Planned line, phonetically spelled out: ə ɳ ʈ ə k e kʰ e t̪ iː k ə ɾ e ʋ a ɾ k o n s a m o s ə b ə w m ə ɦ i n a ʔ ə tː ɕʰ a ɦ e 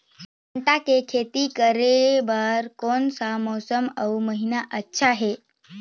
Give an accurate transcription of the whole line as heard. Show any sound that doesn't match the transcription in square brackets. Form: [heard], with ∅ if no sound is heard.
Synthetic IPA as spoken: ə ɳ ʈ [a] k e kʰ e t̪ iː k ə ɾ e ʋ a ɾ k o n s a m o s ə [m] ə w m ə ɦ i n a ʔ ə tː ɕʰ a ɦ e

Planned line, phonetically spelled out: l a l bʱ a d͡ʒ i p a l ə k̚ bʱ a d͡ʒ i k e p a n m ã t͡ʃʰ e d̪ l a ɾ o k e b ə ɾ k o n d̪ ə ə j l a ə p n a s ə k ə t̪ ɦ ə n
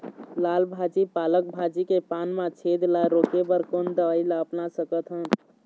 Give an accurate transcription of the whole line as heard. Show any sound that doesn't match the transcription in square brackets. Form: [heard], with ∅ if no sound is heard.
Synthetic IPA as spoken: l a l bʱ a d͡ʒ i p a l ə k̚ bʱ a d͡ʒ i k e p a n m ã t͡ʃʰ e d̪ l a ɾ o k e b ə ɾ k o n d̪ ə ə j l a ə p n a s ə k ə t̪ ɦ ə n

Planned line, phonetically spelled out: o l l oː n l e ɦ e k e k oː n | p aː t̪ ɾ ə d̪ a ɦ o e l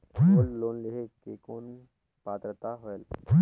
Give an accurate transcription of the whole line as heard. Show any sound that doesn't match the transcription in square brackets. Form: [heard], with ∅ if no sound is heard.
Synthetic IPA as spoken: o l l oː n l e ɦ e k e k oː n | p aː t̪ ɾ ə [t̪] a ɦ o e l

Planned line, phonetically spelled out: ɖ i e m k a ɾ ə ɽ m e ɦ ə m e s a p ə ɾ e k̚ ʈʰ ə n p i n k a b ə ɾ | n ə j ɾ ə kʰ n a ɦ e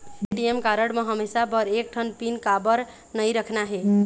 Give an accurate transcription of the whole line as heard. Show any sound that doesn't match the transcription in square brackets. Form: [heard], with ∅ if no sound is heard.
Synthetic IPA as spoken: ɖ i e m k a ɾ ə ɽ m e ɦ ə m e s a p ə ɾ e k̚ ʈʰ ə n p i n k a b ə ɾ | n ə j ɾ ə kʰ n a ɦ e

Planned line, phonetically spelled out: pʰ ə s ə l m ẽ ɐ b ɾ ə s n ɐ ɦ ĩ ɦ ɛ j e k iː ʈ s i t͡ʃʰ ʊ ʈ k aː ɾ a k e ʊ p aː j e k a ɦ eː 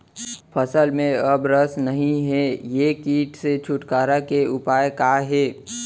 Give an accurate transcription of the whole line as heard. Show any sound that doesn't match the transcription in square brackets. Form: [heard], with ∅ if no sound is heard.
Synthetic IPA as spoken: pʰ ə s ə l m ẽ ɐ b ɾ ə s n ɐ ɦ ĩ ɦ ɛ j e k iː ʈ s [e] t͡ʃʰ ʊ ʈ k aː ɾ a k e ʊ p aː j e k a ɦ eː

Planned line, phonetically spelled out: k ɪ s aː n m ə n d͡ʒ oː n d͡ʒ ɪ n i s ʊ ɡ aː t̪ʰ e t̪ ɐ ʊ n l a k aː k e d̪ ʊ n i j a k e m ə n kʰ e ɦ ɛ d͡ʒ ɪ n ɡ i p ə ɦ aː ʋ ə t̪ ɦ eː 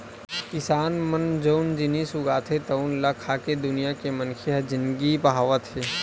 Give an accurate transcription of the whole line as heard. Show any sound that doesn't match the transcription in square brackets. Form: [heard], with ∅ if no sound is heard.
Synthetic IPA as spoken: k ɪ s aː n m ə n d͡ʒ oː n d͡ʒ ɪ n i s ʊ ɡ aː t̪ʰ e t̪ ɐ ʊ n l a [kʰ] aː k e d̪ ʊ n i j a k e m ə n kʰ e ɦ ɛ d͡ʒ ɪ n ɡ i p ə ɦ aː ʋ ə t̪ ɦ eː

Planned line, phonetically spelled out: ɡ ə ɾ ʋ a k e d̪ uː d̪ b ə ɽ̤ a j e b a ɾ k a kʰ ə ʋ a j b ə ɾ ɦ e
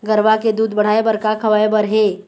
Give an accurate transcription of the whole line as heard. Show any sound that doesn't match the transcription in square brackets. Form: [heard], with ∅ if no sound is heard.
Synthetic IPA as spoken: ɡ ə ɾ ʋ a k e d̪ uː d̪ b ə ɽ̤ a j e b [ə] ɾ k a kʰ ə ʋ a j b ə ɾ ɦ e

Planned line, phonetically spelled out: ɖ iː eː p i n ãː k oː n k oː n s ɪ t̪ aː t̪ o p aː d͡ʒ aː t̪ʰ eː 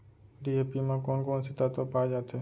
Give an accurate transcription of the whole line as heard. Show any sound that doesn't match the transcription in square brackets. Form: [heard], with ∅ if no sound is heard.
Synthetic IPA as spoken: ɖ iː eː p i [m] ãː k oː n k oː n s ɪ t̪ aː t̪ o p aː d͡ʒ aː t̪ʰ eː

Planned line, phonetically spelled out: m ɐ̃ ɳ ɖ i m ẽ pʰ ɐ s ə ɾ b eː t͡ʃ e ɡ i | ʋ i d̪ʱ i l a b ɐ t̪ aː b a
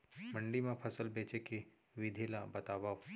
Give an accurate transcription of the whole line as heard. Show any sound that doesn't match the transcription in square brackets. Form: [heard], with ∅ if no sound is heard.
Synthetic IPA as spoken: m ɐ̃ ɳ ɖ i m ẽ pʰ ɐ s ə [l] b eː t͡ʃ e [k] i | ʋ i d̪ʱ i l a b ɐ t̪ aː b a

